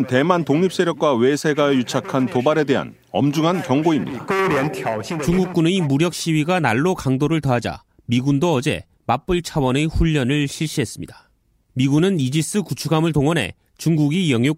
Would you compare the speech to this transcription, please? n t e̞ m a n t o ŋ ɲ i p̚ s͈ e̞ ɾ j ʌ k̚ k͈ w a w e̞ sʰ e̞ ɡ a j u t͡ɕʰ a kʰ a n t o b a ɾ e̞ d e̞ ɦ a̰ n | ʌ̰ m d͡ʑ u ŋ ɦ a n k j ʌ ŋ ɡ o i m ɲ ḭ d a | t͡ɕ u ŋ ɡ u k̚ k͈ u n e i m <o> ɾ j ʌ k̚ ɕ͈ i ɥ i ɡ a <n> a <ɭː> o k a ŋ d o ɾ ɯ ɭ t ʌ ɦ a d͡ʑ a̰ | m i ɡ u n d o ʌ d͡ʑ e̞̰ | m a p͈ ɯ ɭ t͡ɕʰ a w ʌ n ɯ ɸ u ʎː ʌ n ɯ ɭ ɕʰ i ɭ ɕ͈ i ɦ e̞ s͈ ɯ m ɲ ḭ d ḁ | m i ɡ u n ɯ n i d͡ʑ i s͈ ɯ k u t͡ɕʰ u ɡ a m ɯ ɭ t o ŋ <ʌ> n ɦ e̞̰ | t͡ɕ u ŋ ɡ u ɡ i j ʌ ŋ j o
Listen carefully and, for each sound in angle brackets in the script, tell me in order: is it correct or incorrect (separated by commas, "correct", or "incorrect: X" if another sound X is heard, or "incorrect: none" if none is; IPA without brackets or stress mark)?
incorrect: u, correct, correct, correct